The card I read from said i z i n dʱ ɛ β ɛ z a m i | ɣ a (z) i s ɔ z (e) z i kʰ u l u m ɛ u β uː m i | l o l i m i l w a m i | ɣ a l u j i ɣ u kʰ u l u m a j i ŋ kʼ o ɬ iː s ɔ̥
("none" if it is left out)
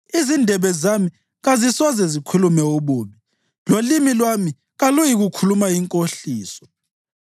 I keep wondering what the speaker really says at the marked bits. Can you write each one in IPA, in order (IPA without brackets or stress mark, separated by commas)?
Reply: z, ɛ